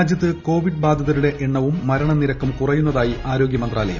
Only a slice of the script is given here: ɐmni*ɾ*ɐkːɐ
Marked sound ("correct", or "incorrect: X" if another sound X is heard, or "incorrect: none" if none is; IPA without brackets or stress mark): correct